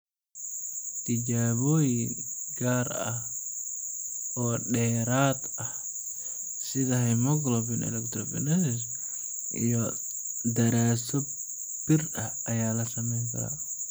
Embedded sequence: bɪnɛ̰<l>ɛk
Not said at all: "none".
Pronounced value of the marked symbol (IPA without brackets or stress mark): l